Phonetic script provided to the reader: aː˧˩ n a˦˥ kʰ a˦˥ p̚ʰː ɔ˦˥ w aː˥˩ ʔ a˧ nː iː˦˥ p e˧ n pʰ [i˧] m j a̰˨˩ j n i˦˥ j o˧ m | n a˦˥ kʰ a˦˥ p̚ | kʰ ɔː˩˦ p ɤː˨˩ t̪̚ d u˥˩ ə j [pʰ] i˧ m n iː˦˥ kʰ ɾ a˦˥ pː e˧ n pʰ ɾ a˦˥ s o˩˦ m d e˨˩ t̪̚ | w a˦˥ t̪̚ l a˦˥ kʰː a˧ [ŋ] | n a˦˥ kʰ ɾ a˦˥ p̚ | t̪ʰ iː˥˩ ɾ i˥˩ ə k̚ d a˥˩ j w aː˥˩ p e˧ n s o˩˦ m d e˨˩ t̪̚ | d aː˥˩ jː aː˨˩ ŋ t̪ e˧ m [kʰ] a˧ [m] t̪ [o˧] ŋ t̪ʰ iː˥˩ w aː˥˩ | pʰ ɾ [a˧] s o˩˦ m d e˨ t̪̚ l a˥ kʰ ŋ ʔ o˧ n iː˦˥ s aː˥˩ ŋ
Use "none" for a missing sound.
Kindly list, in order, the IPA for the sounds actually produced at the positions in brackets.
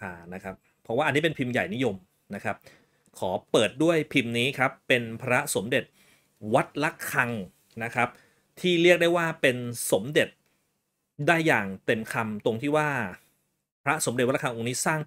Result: i˧, pʰ, ŋ, kʰ, m, o˧, a˦˥

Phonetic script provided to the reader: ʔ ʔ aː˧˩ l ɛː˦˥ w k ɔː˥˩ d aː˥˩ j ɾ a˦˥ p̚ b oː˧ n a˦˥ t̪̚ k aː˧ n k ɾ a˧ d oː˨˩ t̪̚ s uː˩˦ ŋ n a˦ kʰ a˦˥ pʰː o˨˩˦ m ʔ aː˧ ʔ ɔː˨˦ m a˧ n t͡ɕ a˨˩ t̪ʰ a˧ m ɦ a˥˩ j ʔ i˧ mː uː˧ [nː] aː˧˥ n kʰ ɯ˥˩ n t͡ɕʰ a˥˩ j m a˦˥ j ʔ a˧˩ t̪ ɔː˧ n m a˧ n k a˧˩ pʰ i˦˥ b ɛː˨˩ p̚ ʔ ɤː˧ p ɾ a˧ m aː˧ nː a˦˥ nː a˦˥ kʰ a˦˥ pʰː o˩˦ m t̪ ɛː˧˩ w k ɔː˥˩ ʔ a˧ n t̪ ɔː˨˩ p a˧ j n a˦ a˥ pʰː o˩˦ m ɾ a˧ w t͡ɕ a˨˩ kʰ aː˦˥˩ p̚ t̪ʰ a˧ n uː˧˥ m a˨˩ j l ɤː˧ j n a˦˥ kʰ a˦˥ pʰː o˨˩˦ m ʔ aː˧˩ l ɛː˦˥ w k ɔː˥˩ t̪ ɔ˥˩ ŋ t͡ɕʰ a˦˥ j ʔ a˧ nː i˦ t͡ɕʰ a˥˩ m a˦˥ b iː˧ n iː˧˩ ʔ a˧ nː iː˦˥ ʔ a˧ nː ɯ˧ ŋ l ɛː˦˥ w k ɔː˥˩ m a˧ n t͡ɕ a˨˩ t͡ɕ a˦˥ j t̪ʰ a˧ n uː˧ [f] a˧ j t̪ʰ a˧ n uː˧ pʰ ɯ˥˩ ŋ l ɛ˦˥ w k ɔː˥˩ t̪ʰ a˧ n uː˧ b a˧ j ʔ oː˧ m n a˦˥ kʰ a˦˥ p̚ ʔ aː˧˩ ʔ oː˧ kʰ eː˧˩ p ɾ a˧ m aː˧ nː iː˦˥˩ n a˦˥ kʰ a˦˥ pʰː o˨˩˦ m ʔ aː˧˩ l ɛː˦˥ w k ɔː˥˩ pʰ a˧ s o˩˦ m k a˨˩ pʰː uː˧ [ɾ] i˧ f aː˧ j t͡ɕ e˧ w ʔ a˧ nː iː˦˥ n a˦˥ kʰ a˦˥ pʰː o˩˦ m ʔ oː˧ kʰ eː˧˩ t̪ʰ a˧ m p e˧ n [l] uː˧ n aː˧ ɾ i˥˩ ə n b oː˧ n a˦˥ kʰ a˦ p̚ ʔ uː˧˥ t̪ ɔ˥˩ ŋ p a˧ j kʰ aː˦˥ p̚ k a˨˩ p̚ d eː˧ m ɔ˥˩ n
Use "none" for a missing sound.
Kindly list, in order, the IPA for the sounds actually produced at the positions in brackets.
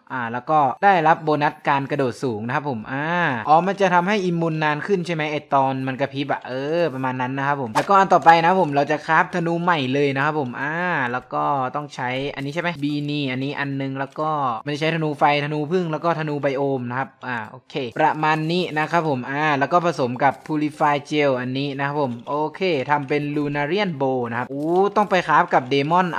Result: nː, f, l, l

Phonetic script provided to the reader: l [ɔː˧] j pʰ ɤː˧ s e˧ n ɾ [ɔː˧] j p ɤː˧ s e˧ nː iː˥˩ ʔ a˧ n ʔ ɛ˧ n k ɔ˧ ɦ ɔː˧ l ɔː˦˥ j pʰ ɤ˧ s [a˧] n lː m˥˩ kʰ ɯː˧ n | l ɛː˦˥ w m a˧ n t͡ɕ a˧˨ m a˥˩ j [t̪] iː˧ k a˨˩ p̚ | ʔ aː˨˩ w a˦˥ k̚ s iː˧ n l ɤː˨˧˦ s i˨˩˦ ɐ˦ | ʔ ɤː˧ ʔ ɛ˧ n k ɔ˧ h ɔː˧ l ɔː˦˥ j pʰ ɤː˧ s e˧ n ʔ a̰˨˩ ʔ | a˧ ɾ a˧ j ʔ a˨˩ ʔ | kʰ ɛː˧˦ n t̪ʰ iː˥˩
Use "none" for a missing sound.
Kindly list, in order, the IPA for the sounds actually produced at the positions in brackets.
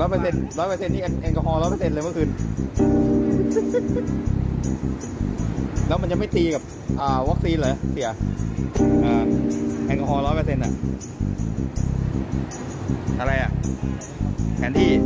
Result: ɔː˦˥, ɔː˦˥, e˧, t̪

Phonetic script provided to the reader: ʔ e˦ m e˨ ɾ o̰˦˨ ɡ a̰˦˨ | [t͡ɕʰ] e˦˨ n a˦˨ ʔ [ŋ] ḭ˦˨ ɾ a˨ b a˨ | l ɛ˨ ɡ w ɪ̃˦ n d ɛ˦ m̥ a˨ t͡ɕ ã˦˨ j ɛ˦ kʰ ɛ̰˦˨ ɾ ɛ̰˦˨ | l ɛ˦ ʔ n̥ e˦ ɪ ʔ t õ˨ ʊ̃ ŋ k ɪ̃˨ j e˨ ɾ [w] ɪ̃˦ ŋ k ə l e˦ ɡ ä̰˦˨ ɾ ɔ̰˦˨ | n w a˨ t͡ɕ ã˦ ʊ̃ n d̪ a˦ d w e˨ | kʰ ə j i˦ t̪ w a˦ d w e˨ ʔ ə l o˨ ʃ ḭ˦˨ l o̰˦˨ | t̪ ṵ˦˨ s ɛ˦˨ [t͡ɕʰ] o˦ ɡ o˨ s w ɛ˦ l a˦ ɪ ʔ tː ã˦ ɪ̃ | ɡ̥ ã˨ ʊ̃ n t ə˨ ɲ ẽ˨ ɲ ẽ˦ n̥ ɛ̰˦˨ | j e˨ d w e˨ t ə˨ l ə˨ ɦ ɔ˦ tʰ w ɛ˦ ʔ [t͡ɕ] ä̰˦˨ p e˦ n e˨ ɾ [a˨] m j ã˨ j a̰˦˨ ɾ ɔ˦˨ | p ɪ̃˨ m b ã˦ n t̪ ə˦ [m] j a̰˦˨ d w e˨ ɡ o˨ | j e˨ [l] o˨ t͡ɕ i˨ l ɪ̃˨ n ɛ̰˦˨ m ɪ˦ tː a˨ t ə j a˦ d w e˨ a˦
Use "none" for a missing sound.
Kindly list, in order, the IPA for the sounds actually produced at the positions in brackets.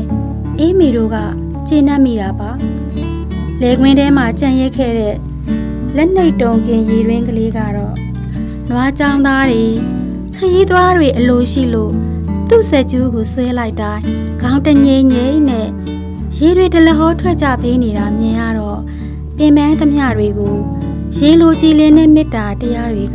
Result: t͡ɕ, m, w, t͡ɕ, t͡ɕ, a˨, m, l

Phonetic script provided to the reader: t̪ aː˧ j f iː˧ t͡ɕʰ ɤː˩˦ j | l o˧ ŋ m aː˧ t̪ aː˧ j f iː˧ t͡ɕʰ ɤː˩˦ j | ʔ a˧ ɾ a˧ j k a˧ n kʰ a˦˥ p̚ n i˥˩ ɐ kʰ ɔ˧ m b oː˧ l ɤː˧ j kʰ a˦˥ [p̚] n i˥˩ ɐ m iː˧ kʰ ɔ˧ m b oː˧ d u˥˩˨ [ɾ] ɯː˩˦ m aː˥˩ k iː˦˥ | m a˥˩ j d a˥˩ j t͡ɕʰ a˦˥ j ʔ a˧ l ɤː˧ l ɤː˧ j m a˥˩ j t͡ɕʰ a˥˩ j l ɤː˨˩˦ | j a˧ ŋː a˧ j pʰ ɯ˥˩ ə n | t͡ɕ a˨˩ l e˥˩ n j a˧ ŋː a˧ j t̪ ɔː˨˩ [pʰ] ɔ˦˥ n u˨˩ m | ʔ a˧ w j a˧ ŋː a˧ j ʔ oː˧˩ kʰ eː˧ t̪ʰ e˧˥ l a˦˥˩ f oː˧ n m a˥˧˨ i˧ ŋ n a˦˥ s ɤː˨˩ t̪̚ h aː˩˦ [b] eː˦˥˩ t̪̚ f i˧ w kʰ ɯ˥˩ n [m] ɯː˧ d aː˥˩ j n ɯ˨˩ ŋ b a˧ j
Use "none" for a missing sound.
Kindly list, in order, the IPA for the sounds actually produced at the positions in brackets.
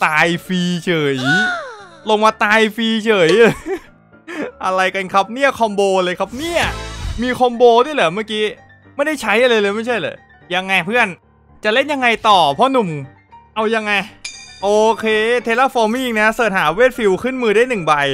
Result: p̚, l, pʰ, w, m

